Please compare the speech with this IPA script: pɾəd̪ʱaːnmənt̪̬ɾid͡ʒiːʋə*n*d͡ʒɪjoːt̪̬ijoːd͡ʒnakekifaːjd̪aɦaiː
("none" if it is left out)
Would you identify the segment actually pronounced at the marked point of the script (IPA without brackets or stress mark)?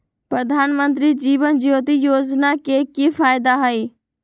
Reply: n